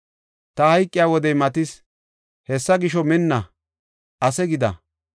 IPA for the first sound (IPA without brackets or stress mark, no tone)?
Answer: t̪